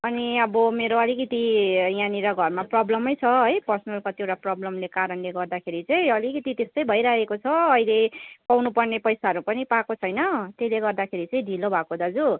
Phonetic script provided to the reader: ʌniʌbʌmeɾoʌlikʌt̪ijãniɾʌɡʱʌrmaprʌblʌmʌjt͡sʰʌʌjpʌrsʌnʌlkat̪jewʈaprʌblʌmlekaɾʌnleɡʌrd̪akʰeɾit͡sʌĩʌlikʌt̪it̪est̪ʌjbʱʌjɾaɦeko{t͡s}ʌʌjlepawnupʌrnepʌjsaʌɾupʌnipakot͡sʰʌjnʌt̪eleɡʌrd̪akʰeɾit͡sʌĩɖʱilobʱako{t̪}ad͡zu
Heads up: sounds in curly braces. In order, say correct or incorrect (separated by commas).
incorrect, incorrect